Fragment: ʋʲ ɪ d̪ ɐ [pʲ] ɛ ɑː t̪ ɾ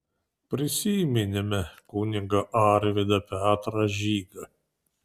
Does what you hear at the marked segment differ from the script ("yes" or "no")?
no